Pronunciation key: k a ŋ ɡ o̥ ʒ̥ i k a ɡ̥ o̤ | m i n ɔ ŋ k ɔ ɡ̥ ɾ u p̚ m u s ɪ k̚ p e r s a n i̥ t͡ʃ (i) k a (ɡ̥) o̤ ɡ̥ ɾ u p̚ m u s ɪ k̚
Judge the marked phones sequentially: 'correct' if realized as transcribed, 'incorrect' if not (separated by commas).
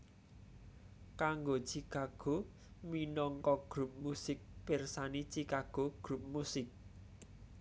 correct, correct